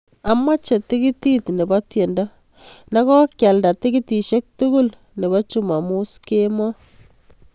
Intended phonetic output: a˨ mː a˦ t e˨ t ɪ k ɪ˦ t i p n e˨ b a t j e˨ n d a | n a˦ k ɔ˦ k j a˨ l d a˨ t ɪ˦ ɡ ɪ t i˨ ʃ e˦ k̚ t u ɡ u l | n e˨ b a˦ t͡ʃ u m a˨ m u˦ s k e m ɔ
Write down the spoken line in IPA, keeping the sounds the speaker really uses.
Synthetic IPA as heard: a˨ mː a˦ t͡ʃ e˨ t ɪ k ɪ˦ t i t n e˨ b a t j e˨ n d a | n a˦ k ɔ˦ k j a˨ l d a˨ t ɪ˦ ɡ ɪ t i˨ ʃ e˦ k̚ t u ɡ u l | n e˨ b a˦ t͡ʃ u m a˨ m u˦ s k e m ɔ